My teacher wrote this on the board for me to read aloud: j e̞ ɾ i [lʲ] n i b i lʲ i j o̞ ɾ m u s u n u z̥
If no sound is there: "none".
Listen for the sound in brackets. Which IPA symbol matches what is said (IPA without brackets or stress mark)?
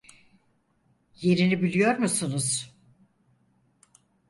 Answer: none